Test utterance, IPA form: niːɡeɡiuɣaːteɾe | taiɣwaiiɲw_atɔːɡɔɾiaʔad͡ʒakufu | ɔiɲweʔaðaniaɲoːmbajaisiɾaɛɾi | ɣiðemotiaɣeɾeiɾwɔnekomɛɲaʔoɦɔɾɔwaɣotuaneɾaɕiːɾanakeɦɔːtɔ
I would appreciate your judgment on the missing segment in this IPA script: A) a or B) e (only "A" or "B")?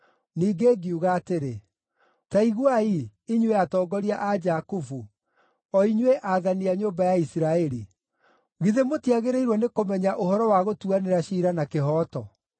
B